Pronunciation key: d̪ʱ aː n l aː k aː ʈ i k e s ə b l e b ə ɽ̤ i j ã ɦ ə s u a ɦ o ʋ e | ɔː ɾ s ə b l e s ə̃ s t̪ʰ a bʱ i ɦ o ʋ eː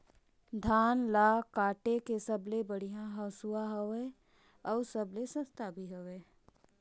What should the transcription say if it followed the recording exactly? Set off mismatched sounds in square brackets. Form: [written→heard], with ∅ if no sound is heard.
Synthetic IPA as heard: d̪ʱ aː n l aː k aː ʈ [i→e] k e s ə b l e b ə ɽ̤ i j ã ɦ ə s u a ɦ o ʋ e | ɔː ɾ s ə b l e s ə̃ s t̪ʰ a bʱ i ɦ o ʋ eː